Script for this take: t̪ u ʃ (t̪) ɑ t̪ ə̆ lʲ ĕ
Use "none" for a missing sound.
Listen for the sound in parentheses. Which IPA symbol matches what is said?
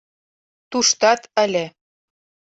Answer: t̪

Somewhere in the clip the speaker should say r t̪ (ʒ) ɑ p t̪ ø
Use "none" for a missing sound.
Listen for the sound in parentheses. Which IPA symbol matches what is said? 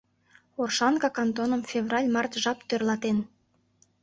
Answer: ʒ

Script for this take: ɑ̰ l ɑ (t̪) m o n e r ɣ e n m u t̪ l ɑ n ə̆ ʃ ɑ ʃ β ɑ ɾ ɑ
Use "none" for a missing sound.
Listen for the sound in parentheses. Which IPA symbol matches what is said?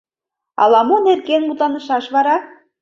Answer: none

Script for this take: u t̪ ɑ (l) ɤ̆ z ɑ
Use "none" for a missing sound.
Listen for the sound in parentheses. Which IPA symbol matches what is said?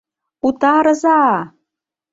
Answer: ɾ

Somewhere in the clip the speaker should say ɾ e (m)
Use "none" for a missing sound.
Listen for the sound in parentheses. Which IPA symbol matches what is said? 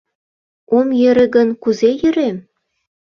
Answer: m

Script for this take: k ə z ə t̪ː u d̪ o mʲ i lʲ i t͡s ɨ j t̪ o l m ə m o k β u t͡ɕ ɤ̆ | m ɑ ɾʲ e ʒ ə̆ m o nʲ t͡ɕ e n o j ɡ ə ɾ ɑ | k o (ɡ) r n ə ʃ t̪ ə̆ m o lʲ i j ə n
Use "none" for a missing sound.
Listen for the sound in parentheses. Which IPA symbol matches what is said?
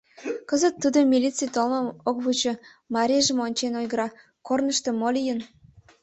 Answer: none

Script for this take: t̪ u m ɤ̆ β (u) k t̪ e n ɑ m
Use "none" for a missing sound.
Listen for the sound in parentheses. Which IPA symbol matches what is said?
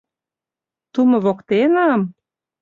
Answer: o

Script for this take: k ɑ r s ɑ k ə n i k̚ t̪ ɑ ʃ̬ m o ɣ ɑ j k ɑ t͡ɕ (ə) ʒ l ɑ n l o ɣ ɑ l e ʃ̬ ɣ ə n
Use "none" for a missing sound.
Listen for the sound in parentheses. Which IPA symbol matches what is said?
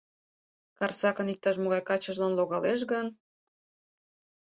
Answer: ə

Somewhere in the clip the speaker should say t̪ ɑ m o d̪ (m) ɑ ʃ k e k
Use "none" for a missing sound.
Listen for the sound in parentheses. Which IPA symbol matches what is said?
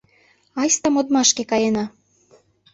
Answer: m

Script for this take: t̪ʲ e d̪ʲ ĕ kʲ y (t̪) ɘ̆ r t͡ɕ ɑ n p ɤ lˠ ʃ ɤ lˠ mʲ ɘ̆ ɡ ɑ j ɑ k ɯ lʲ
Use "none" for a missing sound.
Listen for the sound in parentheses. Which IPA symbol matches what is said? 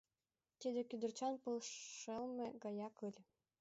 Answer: d̪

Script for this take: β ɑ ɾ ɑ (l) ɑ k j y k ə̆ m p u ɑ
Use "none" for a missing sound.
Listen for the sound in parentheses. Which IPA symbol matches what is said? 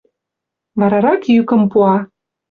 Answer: ɾ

